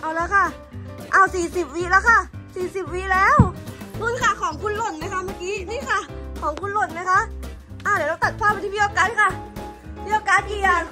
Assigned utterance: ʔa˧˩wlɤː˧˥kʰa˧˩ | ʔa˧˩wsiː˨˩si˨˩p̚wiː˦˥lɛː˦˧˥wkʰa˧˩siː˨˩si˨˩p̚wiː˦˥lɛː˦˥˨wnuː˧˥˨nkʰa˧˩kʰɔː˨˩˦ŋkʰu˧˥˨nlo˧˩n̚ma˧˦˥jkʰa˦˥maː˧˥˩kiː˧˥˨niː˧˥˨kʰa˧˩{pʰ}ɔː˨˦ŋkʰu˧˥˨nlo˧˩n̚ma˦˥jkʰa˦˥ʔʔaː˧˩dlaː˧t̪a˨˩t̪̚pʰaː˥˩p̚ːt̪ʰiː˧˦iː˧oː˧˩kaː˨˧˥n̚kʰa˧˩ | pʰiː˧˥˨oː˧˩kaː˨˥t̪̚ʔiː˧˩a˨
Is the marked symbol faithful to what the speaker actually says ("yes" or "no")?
no